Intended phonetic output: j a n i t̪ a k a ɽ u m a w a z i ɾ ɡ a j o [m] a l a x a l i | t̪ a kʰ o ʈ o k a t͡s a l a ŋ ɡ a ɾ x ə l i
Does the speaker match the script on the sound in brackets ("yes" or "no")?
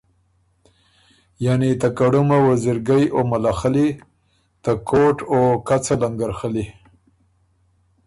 yes